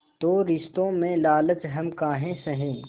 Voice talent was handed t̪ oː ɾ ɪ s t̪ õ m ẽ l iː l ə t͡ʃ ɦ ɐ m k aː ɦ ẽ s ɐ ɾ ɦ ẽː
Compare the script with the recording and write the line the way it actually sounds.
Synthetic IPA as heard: t̪ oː ɾ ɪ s t̪ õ m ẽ l aː l ə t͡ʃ ɦ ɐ m k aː ɦ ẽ s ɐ ɦ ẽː